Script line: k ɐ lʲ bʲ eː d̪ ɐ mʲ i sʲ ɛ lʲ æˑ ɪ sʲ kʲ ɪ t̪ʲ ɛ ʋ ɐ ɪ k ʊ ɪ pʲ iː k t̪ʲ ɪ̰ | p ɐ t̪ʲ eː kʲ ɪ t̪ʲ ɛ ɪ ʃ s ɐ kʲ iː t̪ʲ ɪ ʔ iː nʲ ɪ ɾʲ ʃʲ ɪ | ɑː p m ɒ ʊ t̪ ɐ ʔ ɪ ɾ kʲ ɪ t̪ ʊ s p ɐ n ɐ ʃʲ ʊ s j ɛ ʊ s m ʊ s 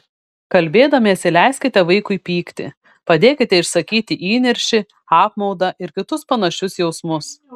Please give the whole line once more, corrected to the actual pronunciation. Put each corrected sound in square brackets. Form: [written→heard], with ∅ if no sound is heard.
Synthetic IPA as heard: k ɐ lʲ bʲ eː d̪ ɐ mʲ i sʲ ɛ lʲ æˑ ɪ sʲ kʲ ɪ t̪ʲ ɛ ʋ ɐ ɪ k ʊ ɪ pʲ iː k t̪ʲ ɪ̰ | p ɐ [t̪ʲ→d̪ʲ] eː kʲ ɪ t̪ʲ ɛ ɪ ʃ s ɐ kʲ iː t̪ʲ ɪ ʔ iː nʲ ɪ ɾʲ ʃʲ ɪ | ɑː p m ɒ ʊ [t̪→d̪] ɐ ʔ ɪ ɾ kʲ ɪ t̪ ʊ s p ɐ n ɐ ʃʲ ʊ s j ɛ ʊ s m ʊ s